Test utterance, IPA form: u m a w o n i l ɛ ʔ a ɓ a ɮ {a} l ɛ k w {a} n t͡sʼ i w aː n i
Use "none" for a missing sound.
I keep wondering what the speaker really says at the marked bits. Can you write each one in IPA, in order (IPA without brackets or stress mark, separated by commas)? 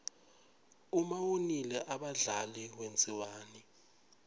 a, e